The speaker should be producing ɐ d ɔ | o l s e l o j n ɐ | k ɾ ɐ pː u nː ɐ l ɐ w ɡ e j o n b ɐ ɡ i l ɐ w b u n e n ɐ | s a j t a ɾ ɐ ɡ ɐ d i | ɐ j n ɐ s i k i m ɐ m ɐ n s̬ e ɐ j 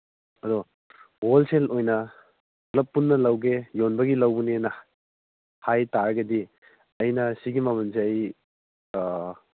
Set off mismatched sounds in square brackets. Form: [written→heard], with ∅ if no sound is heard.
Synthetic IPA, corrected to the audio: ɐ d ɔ | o l s e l o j n ɐ | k [ɾ→l] ɐ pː u nː ɐ l ɐ w ɡ e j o n b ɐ ɡ i l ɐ w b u n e n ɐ | [s→h] a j t a ɾ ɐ ɡ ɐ d i | ɐ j n ɐ s i [k→ɡ] i m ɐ m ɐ n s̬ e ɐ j